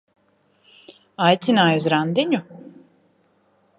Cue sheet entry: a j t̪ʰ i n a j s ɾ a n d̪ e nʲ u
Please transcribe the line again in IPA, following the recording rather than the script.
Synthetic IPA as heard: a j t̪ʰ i n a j z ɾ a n d̪ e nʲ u